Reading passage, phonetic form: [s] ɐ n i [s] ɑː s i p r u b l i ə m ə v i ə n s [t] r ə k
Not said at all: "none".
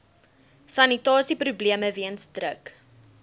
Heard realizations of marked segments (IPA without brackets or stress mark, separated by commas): s, t, d